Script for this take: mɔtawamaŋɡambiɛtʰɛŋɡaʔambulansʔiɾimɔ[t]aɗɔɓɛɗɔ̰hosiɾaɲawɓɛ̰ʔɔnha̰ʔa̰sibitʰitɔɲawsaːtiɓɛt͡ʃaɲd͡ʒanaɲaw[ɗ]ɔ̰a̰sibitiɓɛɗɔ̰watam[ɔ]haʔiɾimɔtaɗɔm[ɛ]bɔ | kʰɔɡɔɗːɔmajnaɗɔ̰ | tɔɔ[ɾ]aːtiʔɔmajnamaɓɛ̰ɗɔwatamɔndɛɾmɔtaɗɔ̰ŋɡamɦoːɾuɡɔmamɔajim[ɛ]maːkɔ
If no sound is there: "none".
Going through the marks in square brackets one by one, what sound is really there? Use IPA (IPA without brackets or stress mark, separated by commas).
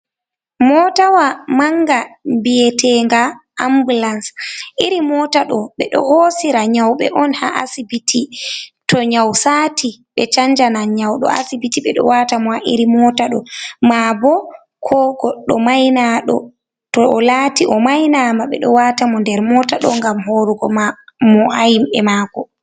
t, ɗ, ɔ, a, l, ɛ